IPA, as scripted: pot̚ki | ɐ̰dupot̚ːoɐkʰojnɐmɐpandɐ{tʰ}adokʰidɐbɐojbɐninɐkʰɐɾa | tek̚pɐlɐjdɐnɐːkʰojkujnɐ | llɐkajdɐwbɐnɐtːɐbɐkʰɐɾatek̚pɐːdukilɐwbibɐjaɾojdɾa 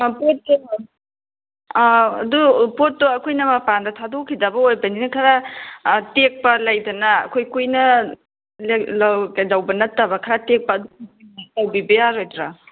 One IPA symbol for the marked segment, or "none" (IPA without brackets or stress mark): tʰ